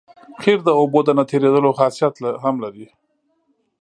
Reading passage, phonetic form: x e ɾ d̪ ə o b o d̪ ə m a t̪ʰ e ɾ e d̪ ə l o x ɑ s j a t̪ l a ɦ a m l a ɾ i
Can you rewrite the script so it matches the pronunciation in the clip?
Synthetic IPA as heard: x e ɾ d̪ ə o b o d̪ ə n a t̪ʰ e ɾ e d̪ ə l o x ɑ s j a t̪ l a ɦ a m l a ɾ i